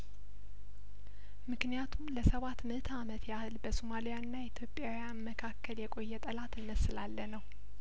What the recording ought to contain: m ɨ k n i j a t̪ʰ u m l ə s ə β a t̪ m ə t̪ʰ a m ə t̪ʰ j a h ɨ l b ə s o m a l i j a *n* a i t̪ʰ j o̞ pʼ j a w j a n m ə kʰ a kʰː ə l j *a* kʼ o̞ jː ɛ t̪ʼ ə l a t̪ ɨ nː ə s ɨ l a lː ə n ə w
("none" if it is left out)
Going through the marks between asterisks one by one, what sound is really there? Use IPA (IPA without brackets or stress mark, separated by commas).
nː, ɛ